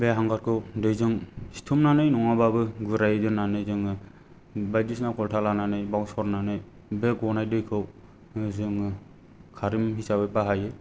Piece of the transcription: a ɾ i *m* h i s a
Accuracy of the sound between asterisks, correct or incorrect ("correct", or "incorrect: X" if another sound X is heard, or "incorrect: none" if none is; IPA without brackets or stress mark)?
correct